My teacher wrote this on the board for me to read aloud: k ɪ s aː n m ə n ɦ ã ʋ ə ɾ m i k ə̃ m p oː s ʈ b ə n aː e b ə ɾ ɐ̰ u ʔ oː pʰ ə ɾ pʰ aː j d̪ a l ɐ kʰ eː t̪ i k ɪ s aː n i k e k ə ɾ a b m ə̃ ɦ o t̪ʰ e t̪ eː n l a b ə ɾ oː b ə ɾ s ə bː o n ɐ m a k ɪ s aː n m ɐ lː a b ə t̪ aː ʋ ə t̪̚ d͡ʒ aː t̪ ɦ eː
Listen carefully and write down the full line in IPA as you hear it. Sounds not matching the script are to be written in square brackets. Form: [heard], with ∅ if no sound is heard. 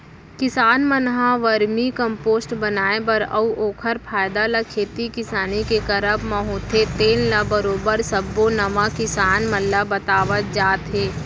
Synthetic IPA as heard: k ɪ s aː n m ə n ɦ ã ʋ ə ɾ m i k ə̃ m p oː s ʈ b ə n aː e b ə ɾ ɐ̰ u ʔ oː [kʰ] ə ɾ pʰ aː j d̪ a l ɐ kʰ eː t̪ i k ɪ s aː n i k e k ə ɾ [ə] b m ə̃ ɦ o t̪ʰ e t̪ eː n l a b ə ɾ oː b ə ɾ s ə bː o n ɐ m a k ɪ s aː n m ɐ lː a b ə t̪ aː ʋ ə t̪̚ d͡ʒ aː t̪ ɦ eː